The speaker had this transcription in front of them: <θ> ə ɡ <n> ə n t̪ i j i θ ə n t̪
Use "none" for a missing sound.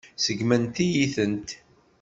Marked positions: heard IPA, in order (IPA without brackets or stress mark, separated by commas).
s, m